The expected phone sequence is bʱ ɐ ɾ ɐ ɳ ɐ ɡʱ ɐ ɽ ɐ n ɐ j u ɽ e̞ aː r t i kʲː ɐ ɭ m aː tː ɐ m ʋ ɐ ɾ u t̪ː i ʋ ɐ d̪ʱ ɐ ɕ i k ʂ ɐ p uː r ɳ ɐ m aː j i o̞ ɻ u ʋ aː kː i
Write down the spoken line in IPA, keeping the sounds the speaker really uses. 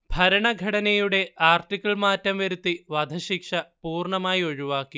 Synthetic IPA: bʱ ɐ ɾ ɐ ɳ ɐ ɡʱ ɐ ɽ ɐ n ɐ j u ɽ e̞ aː r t i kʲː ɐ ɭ m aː tː ɐ m ʋ ɐ ɾ u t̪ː i ʋ ɐ d̪ʱ ɐ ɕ i k ʂ ɐ p uː r ɳ ɐ m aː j i o̞ ɻ u ʋ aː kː i